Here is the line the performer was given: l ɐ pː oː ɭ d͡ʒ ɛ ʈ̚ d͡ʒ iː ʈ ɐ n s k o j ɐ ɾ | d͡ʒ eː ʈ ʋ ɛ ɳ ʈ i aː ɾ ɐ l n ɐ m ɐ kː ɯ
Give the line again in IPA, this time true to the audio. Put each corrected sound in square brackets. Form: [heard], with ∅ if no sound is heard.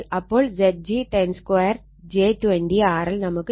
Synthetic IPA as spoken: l ɐ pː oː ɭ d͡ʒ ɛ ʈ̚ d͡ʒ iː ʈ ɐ n s k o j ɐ ɾ | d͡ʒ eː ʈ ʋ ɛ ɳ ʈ i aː ɾ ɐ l n ɐ m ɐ kː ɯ